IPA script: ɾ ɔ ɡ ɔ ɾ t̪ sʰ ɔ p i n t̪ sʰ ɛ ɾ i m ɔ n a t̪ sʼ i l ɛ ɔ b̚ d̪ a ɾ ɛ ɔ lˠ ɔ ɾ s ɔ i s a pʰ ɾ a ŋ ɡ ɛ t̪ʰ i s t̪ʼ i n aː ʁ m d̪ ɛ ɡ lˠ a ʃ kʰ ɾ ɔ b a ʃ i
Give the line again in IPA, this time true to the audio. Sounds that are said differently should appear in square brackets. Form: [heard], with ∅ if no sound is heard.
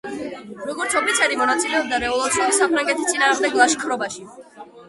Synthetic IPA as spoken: ɾ ɔ ɡ ɔ ɾ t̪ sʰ ɔ p i [∅] t̪ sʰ ɛ ɾ i m ɔ n a t̪ sʼ i l ɛ ɔ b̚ d̪ a ɾ ɛ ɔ lˠ ɔ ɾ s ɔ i s a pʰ ɾ a ŋ ɡ ɛ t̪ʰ i s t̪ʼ i n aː ʁ m d̪ ɛ ɡ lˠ a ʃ kʰ ɾ ɔ b a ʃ i